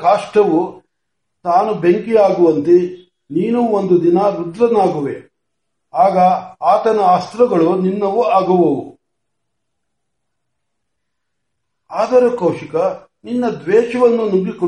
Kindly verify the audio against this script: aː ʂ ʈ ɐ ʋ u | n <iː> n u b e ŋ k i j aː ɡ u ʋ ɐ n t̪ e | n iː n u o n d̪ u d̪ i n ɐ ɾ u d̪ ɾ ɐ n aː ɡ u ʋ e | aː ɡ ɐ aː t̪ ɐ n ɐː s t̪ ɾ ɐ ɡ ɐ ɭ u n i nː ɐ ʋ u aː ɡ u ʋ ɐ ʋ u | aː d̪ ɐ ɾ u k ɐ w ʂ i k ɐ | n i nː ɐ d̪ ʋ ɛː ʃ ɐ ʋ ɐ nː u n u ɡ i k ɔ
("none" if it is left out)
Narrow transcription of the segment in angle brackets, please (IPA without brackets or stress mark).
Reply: aː